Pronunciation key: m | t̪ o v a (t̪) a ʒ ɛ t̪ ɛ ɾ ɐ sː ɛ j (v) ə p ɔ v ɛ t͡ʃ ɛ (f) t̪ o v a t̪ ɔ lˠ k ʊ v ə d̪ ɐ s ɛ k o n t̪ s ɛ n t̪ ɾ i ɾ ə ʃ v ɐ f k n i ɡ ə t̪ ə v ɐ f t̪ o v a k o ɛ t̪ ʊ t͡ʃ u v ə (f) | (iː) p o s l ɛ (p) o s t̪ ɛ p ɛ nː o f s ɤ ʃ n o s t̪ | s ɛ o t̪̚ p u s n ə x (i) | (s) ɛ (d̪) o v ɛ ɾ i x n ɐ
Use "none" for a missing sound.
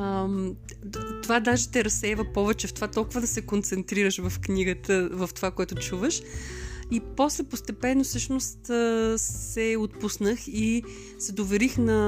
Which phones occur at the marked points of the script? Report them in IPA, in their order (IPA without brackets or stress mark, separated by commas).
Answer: d̪, v, f, ʃ, i, p, i, s, d̪